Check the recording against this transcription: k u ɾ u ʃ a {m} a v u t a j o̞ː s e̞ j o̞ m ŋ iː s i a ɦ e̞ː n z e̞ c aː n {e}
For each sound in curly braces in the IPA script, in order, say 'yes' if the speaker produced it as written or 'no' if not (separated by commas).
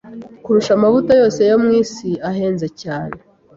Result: yes, yes